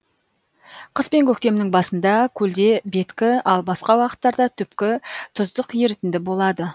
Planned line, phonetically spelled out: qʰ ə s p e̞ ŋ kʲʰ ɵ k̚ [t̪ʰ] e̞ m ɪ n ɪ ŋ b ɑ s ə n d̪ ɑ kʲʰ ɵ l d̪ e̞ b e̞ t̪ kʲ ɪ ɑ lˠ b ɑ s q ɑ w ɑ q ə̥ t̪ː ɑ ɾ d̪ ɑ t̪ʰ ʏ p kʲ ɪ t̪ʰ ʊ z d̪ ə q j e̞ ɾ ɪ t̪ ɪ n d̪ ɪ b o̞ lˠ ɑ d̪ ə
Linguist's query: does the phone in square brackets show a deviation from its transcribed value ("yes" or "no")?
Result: yes